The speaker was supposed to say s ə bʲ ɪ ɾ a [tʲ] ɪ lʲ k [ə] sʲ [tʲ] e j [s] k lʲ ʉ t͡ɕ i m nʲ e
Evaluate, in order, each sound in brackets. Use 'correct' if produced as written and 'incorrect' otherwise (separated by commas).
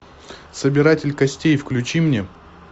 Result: correct, incorrect, correct, incorrect